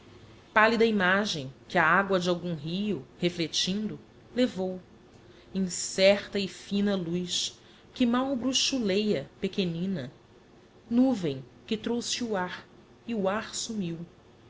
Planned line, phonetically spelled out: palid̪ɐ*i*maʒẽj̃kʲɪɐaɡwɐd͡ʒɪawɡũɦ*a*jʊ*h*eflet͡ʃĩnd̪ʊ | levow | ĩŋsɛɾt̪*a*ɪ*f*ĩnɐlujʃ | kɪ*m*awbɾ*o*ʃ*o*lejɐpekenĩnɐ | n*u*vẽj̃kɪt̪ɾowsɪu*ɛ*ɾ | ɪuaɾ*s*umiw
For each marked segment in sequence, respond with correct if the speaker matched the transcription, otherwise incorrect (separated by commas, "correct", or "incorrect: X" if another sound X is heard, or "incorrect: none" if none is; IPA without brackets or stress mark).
correct, incorrect: i, correct, incorrect: ɐ, correct, correct, incorrect: u, incorrect: u, correct, incorrect: a, correct